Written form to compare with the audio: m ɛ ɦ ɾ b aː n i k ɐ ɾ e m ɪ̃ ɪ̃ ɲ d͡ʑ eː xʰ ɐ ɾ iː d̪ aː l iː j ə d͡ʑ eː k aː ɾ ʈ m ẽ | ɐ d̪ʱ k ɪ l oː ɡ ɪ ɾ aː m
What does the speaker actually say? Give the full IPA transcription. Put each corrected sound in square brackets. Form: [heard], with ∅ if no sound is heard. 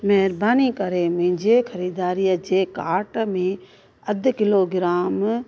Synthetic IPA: m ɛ ɦ ɾ b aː n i k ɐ ɾ e m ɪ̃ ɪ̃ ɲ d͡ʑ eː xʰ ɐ ɾ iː d̪ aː [ɾ] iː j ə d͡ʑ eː k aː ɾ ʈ m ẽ | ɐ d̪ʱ k ɪ l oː ɡ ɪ ɾ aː m

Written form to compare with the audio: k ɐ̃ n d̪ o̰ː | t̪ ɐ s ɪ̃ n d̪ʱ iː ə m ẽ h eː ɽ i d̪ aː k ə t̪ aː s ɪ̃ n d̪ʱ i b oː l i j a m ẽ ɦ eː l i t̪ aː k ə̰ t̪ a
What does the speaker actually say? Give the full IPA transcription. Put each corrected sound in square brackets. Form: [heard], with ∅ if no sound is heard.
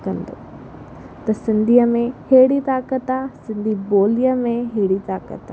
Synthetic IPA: k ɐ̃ n d̪ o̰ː | t̪ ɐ s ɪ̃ n d̪ʱ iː ə m ẽ h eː ɽ i [t̪] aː k ə t̪ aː s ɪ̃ n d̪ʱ i b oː l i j [ə] m ẽ ɦ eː [ɽ] i t̪ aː k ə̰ t̪ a

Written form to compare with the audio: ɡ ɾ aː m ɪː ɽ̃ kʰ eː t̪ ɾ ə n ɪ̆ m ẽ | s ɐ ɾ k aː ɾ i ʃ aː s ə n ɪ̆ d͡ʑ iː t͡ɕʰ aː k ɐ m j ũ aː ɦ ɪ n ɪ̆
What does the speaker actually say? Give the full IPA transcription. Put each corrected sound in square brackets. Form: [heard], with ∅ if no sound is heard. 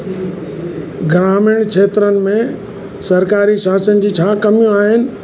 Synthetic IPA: ɡ ɾ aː m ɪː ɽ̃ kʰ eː t̪ ɾ ə n ɪ̆ m ẽ | s ɐ ɾ k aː ɾ i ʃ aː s ə n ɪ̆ d͡ʑ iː t͡ɕʰ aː k ɐ m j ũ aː ɦ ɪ n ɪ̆

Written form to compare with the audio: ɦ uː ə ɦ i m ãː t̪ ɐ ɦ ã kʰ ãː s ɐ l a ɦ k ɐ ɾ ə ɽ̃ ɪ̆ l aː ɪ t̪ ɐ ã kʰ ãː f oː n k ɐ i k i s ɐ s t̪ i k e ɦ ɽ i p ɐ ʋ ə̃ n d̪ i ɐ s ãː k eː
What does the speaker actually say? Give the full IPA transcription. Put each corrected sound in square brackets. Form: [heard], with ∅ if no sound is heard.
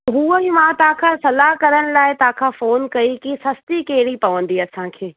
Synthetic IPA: ɦ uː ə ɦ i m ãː t̪ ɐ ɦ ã kʰ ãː s ɐ l a ɦ k ɐ ɾ ə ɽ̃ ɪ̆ l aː ɪ t̪ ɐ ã kʰ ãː f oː n k ɐ i k i s ɐ s t̪ i k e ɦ ɽ i p ɐ ʋ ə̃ n d̪ i ɐ s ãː [kʰ] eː

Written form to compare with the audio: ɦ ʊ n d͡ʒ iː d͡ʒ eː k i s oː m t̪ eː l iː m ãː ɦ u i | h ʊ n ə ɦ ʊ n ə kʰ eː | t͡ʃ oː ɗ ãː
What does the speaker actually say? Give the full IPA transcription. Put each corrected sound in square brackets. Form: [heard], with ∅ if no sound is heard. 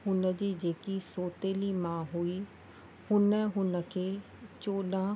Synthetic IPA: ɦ ʊ n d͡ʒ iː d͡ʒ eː k i s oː [∅] t̪ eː l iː m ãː ɦ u i | h ʊ n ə ɦ ʊ n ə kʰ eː | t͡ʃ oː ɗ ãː

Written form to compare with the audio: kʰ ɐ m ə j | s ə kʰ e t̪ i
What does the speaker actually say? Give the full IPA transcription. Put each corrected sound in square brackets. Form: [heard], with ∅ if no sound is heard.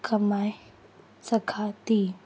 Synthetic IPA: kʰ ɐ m [a] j | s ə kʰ [a] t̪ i

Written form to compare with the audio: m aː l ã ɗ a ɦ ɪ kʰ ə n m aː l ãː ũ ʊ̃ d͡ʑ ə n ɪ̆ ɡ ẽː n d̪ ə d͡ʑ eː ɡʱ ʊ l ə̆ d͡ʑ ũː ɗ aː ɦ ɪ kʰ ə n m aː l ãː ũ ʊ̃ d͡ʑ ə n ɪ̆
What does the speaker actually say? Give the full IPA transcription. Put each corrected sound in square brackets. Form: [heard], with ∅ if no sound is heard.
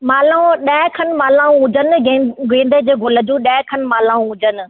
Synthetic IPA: m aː l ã ɗ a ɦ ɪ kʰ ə n m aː l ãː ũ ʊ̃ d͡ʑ ə n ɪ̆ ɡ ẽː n d̪ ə d͡ʑ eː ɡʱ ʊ l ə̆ d͡ʑ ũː ɗ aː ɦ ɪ kʰ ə n m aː l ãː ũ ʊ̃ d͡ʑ ə n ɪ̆

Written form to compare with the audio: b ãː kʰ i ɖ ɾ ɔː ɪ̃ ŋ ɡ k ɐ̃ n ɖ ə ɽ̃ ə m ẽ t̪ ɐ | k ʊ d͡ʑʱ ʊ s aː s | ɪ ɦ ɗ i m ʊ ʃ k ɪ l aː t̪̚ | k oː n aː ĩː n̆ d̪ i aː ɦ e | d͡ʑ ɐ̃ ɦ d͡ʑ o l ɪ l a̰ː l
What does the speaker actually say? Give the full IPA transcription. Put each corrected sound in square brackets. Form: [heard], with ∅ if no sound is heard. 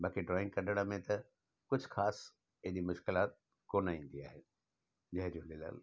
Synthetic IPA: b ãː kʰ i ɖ ɾ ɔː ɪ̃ ŋ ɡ k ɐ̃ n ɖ ə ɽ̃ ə m ẽ t̪ ɐ | k ʊ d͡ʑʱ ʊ [x] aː s | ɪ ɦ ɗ i m ʊ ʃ k ɪ l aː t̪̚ | k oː n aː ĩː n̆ d̪ i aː ɦ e | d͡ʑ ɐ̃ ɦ d͡ʑ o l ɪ l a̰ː l

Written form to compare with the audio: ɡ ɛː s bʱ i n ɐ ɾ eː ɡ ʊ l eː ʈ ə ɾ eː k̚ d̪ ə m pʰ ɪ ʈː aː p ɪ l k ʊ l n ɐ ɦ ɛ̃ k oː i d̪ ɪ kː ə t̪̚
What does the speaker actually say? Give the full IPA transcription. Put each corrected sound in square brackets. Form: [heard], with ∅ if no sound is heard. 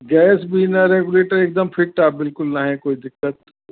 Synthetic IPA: ɡ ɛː s bʱ i n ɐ ɾ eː ɡ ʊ l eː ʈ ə ɾ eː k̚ d̪ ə m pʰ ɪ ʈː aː [b] ɪ l k ʊ l n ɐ ɦ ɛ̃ k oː i d̪ ɪ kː ə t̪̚

